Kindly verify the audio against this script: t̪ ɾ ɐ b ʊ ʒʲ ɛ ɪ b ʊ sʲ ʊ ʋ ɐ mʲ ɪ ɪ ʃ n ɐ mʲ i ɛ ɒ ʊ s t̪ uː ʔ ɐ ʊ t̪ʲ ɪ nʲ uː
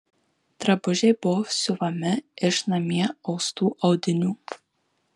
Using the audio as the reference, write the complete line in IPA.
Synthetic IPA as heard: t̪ ɾ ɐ b ʊ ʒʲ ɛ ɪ b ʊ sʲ ʊ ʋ ɐ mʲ ɪ ɪ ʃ n ɐ mʲ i ɛ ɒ ʊ s t̪ uː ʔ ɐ ʊ d̪ʲ ɪ nʲ uː

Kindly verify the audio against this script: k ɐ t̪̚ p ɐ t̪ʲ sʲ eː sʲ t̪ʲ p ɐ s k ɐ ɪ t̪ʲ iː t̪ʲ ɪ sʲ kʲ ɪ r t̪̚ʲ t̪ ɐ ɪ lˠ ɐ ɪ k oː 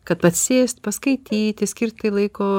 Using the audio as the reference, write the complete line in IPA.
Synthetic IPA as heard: k ɐ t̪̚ p ɐ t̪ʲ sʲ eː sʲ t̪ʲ p ɐ s k ɐ ɪ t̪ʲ iː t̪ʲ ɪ sʲ kʲ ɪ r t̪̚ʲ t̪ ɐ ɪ lˠ ɐ ɪ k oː

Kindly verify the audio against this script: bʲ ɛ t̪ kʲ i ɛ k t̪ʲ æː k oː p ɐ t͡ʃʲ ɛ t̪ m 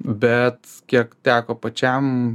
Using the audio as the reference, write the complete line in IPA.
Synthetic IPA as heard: bʲ ɛ t̪ kʲ i ɛ k t̪ʲ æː k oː p ɐ t͡ʃʲ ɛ m

